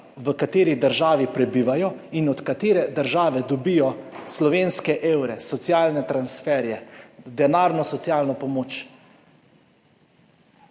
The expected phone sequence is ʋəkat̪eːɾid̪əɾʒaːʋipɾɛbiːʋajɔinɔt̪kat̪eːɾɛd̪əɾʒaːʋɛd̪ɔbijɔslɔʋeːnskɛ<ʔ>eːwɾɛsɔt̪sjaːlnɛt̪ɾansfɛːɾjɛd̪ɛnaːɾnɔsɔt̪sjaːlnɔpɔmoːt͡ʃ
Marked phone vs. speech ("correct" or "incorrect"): correct